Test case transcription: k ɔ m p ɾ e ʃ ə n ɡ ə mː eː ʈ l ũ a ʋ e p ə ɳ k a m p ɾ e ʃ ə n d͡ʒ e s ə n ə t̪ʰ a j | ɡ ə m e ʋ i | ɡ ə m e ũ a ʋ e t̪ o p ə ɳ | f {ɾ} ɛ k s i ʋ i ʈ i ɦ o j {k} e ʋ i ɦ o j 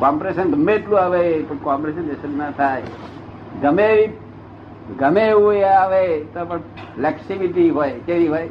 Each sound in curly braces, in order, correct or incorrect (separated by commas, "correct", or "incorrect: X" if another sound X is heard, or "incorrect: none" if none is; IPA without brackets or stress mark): incorrect: l, correct